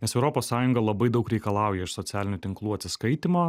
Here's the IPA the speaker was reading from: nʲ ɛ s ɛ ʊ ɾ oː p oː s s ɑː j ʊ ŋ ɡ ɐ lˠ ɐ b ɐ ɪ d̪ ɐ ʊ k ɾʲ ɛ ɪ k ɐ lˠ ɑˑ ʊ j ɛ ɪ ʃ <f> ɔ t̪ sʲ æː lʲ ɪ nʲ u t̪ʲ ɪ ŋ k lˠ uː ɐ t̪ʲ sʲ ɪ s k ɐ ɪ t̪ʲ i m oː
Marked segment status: incorrect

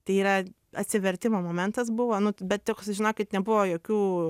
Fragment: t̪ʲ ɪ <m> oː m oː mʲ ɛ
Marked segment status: correct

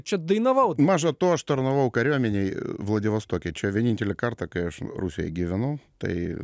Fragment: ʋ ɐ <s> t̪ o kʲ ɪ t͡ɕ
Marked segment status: correct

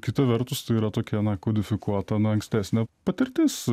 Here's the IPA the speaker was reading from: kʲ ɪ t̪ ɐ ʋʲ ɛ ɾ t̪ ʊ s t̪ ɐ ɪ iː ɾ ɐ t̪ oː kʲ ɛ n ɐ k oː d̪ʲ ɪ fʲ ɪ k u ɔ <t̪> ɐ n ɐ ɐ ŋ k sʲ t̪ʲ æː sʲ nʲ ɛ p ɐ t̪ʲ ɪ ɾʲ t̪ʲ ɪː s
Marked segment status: correct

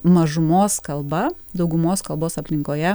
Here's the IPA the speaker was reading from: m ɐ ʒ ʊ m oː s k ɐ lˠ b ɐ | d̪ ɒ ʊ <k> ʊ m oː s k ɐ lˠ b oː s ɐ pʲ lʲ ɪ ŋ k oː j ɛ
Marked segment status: incorrect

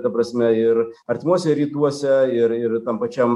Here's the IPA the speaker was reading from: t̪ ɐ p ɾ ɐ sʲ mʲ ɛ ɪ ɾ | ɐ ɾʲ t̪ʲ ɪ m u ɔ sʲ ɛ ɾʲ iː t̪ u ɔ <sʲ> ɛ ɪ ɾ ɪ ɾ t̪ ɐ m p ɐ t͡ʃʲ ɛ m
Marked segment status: correct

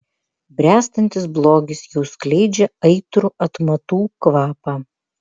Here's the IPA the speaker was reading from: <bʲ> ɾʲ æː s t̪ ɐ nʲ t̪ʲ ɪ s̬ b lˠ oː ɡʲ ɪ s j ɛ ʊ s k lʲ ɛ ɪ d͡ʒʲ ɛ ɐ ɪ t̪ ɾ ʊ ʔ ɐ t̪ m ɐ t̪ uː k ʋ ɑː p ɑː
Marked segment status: correct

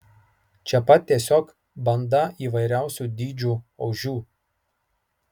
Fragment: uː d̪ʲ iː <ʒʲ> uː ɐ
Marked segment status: incorrect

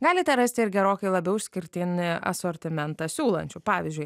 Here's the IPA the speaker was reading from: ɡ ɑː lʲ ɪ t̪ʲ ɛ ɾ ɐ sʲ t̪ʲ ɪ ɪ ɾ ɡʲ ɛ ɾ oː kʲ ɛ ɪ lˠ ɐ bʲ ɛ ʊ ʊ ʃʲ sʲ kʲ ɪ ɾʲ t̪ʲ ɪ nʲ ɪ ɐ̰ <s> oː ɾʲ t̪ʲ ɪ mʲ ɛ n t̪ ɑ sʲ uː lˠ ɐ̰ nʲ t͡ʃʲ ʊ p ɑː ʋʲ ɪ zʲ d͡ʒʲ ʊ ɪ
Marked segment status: correct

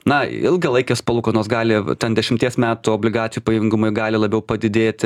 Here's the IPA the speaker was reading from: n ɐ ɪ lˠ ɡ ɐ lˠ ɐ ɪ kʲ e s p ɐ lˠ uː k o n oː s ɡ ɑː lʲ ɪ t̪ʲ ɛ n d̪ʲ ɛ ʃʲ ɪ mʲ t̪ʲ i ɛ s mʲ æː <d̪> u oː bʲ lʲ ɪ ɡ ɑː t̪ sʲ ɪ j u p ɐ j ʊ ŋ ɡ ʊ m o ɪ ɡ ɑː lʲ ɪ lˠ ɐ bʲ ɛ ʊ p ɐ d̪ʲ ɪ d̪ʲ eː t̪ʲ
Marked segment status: incorrect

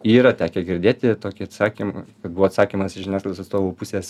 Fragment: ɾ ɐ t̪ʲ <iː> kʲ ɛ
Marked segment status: incorrect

